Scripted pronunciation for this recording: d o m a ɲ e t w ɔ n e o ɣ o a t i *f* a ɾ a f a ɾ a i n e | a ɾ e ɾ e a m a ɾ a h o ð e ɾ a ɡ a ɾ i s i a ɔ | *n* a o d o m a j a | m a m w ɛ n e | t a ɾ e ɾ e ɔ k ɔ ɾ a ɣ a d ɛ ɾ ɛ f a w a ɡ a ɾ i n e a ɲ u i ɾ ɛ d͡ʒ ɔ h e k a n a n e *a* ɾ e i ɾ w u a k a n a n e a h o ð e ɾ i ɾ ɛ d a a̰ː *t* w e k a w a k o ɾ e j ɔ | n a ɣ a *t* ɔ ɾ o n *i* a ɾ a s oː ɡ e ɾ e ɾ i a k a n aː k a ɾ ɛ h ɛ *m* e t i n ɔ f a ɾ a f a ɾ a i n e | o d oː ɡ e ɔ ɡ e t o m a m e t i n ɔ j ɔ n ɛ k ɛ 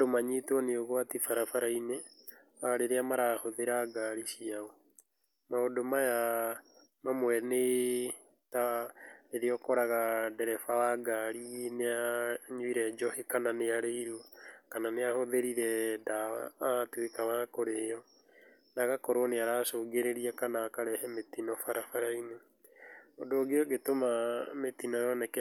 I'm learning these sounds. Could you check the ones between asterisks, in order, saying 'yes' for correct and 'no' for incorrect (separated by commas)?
yes, no, yes, yes, no, no, yes